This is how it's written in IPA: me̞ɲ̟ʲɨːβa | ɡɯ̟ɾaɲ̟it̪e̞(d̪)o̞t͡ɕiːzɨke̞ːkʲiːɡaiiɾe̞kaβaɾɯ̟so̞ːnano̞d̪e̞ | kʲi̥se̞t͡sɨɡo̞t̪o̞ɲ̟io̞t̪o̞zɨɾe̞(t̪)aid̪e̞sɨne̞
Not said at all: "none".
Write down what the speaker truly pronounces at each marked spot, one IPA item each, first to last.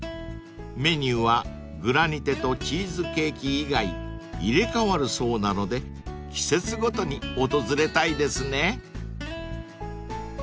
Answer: t̪, t̪

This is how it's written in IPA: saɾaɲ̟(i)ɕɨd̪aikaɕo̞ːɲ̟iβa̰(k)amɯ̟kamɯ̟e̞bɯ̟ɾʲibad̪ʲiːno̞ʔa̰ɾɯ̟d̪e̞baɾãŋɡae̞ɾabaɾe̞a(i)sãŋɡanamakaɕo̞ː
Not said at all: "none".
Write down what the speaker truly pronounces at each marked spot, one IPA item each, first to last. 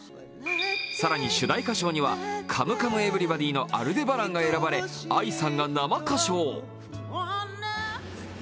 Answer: i, kʰ, i

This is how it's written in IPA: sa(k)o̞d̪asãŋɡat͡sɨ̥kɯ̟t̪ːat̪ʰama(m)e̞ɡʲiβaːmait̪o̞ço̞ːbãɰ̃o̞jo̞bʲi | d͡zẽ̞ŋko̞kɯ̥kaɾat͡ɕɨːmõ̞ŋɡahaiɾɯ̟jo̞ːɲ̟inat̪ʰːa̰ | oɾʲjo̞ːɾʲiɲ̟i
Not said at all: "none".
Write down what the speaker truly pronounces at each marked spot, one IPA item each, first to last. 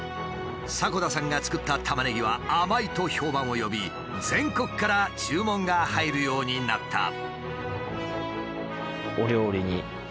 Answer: k, n

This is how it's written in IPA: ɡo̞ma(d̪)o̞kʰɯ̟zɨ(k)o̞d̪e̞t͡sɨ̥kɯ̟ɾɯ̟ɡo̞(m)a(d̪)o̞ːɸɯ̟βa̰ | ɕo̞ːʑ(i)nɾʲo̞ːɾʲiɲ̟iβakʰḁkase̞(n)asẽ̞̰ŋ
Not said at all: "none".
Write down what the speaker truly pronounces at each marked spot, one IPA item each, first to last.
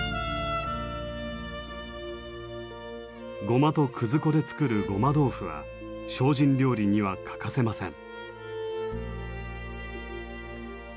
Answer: t̪, k, m, d̪, ĩ, m

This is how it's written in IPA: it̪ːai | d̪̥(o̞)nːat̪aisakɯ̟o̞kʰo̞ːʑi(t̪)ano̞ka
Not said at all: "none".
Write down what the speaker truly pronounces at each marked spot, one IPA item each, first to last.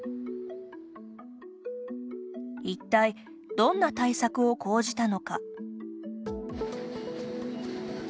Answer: õ̞, t̪

